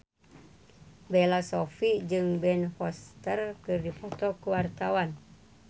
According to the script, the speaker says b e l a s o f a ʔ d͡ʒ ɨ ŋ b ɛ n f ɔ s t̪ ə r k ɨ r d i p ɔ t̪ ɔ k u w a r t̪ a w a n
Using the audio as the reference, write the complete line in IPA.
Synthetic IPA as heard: b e l a s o f i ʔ d͡ʒ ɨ ŋ b ɛ n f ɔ s t̪ ə r k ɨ r d i p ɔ t̪ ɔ k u w a r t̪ a w a n